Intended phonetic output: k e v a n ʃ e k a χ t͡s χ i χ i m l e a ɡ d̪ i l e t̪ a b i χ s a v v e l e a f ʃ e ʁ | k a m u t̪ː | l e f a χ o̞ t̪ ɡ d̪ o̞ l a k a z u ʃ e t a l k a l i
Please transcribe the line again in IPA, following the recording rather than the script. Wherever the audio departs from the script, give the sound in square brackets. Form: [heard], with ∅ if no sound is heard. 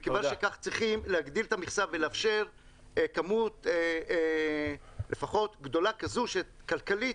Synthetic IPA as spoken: k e v a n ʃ e k a χ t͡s [ʁ] i χ i m l e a ɡ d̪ i l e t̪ a [m] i χ s a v v e l e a f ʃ e ʁ | k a m u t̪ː | l e f a χ o̞ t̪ ɡ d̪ o̞ l a k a z u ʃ e [k] a l k a l i